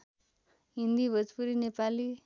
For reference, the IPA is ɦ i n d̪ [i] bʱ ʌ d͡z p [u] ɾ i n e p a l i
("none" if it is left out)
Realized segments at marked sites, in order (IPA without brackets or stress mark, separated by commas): i, u